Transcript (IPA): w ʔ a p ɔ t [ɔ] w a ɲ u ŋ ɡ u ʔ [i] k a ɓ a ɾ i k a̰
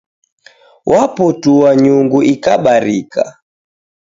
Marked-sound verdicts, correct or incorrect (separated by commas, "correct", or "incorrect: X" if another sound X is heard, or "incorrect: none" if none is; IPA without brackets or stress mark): incorrect: u, correct